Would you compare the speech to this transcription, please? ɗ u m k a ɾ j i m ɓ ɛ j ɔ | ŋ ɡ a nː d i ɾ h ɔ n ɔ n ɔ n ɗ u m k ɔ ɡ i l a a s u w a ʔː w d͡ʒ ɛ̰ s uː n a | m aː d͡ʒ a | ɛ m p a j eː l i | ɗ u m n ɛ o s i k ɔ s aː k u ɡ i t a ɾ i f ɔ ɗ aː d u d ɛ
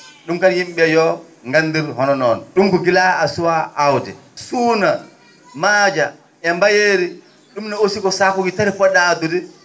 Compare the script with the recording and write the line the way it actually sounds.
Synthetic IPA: ɗ u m k a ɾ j i m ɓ ɛ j ɔ | ŋ ɡ a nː d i ɾ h ɔ n ɔ n ɔ n ɗ u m k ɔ ɡ i l a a s u w a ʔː w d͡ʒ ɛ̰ s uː n a | m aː d͡ʒ a | ɛ m b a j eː ɾ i | ɗ u m n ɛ o s i k ɔ s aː k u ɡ i t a ɾ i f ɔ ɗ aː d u d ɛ